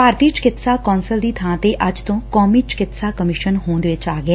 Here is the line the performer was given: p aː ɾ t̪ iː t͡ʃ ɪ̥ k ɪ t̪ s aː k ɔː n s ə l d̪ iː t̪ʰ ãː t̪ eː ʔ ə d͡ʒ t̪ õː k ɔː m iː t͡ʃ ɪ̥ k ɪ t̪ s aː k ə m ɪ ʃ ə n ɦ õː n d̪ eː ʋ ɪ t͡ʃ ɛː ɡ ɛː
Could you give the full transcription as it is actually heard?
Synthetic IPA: p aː ɾ t̪ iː t͡ʃ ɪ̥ k ɪ t̪ s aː k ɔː n s ə l d̪ iː t̪ʰ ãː t̪ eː ʔ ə d͡ʒ t̪ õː k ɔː m iː t͡ʃ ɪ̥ k ɪ t̪ s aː k ə m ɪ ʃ ə n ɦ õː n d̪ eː ʋ ɪ t͡ʃ aː ɡ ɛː

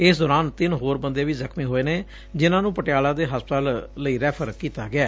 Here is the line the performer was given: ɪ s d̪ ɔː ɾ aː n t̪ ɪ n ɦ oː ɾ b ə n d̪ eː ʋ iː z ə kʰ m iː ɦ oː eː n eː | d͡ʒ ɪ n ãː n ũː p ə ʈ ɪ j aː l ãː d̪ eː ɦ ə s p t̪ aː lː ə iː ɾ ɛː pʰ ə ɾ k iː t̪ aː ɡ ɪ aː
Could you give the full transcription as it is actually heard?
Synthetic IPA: ɪ s d̪ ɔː ɾ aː n t̪ ɪ n ɦ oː ɾ b ə n d̪ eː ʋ iː z ə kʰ m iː ɦ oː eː n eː | d͡ʒ ɪ n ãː n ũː p ə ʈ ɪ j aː l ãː d̪ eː ɦ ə s p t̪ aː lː ə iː ɾ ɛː pʰ ə ɾ k iː t̪ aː ɡ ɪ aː

